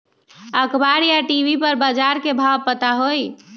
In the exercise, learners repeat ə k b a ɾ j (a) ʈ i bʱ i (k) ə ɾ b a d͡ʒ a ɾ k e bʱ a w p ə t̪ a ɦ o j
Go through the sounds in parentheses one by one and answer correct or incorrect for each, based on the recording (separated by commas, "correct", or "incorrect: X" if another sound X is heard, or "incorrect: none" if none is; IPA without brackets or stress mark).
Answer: correct, incorrect: p